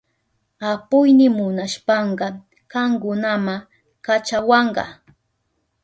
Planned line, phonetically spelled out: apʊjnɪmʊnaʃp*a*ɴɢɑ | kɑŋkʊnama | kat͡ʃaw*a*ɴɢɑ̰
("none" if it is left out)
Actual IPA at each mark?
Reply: ɑ, ɑ

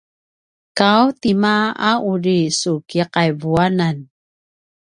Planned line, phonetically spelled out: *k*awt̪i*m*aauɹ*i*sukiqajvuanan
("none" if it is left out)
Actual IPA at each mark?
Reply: k, m, i

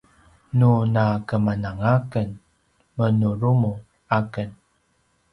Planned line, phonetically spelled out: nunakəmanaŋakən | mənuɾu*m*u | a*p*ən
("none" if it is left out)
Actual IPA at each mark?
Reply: m, k

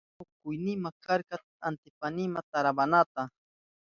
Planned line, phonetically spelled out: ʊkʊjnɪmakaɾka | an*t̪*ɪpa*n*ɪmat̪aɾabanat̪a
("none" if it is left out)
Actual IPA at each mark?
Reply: t̪, n

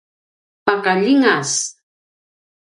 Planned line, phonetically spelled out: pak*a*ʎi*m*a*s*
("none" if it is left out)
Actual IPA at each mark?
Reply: a, ŋ, s

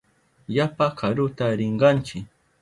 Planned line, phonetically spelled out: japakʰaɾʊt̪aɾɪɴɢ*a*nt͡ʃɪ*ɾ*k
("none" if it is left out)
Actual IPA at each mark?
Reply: ɑ, none

